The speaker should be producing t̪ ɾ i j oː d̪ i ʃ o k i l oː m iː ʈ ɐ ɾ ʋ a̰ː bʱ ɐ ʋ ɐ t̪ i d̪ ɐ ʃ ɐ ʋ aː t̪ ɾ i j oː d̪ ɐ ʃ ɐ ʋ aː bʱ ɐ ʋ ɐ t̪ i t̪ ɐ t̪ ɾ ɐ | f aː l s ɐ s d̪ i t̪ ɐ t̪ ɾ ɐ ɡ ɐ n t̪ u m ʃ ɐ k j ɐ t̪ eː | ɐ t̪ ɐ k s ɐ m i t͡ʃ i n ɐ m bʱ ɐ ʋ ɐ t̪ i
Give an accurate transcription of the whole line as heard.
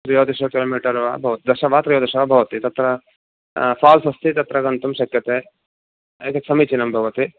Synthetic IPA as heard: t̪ ɾ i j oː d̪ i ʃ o k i l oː m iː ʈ ɐ ɾ ʋ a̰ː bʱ ɐ ʋ ɐ t̪ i d̪ ɐ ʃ ɐ ʋ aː t̪ ɾ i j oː d̪ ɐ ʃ ɐ ʋ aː bʱ ɐ ʋ ɐ t̪ i t̪ ɐ t̪ ɾ ɐ | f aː l s ɐ s t̪ i t̪ ɐ t̪ ɾ ɐ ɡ ɐ n t̪ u m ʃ ɐ k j ɐ t̪ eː | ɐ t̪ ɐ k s ɐ m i t͡ʃ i n ɐ m bʱ ɐ ʋ ɐ t̪ i